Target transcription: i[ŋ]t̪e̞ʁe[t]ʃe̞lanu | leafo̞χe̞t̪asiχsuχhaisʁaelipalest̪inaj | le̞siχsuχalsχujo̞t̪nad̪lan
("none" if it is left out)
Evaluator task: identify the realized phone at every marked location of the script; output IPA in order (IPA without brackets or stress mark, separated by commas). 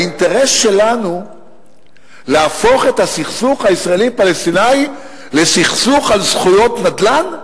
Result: n, s